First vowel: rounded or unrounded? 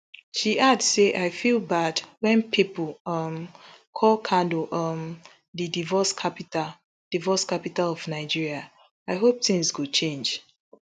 unrounded